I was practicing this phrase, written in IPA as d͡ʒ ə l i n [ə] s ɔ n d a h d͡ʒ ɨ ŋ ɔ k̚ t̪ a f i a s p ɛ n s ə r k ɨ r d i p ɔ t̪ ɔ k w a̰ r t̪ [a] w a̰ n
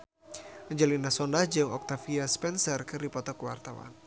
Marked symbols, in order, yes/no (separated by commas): no, yes